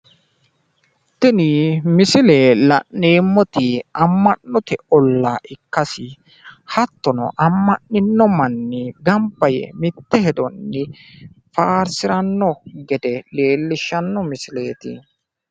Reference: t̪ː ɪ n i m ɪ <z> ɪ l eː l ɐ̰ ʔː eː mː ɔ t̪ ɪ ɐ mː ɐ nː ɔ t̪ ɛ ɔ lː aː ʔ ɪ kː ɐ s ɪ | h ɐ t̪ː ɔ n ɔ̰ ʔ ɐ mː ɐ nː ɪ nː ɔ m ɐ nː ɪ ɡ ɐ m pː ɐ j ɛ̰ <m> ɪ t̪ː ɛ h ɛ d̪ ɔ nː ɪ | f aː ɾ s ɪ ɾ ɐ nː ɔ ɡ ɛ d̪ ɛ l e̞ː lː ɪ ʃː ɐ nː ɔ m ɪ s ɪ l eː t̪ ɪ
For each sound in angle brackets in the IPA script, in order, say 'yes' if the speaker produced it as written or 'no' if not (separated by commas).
no, yes